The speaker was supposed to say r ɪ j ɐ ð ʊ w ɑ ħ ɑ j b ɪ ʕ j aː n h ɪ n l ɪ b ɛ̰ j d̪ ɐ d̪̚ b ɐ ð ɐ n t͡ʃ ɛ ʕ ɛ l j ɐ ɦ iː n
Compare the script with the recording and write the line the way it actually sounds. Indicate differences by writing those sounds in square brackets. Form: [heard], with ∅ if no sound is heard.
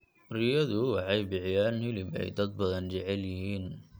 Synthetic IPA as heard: r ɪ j ɐ ð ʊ w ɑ ħ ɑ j b ɪ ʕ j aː n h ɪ [∅] l ɪ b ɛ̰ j d̪ ɐ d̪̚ b ɐ ð ɐ n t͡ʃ ɛ ʕ ɛ l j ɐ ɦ iː n